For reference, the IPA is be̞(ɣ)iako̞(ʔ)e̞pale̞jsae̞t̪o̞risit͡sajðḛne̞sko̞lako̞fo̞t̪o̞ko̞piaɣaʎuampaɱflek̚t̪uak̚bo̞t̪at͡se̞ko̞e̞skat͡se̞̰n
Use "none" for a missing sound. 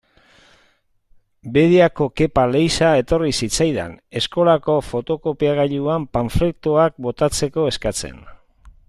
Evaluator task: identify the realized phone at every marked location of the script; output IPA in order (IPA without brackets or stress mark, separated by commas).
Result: ð, k